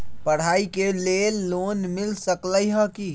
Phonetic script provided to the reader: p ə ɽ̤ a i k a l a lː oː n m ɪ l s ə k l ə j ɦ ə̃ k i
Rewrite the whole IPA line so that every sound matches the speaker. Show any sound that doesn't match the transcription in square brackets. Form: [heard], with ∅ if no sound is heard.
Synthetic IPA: p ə ɽ̤ a i k [e] l [e] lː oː n m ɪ l s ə k l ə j ɦ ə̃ k i